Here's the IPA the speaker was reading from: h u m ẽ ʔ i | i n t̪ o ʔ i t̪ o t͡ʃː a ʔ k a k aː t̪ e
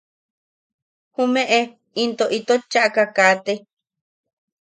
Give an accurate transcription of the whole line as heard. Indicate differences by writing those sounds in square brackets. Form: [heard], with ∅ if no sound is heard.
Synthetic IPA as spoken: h u m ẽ ʔ [e] | i n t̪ o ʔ i t̪ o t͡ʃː a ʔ k a k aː t̪ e